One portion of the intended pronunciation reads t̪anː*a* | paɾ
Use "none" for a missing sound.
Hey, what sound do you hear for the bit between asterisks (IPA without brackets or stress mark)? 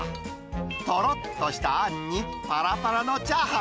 i